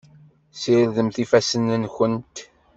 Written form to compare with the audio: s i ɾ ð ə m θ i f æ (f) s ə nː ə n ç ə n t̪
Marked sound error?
yes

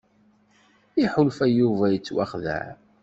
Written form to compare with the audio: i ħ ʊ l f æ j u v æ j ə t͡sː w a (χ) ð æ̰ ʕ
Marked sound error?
no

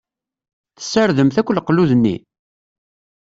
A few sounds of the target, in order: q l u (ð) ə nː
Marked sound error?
no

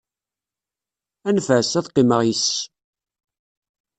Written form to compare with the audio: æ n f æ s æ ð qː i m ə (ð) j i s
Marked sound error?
yes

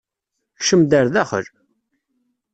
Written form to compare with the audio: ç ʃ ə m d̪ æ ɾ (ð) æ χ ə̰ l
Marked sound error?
no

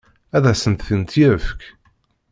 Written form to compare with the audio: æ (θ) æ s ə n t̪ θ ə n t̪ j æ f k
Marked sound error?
yes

